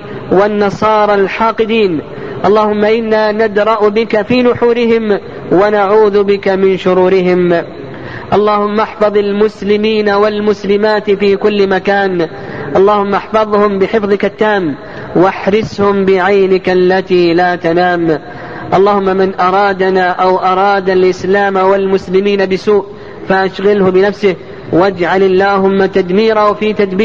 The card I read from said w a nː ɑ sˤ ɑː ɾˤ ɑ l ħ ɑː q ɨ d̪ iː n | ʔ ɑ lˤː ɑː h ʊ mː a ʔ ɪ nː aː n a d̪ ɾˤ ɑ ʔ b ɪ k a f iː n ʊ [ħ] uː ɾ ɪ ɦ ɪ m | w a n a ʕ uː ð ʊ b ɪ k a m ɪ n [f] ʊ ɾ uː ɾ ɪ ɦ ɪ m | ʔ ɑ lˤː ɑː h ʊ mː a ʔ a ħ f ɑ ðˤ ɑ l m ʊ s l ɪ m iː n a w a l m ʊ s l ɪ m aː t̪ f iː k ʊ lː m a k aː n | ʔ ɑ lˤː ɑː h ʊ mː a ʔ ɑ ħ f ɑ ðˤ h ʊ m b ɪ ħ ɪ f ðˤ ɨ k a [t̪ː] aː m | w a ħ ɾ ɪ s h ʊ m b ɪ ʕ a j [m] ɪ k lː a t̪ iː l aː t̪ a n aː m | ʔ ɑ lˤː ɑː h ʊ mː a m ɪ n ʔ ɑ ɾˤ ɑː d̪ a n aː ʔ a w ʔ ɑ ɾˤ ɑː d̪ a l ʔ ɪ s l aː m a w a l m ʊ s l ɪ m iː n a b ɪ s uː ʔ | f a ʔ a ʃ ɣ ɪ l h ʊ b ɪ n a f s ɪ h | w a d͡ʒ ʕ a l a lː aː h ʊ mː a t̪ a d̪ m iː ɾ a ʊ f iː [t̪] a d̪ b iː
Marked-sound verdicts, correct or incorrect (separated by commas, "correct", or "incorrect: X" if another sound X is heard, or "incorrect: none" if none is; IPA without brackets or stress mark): correct, incorrect: ʃ, correct, incorrect: n, correct